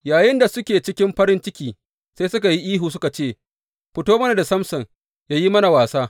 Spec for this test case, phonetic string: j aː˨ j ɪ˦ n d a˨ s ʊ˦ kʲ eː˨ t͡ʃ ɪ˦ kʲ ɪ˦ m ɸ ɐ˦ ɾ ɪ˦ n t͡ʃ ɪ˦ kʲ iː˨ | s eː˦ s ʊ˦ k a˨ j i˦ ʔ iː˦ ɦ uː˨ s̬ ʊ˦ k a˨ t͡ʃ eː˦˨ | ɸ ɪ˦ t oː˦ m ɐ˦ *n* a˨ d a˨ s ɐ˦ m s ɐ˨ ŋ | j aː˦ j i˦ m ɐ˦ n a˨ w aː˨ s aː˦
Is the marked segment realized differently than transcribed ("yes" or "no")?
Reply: no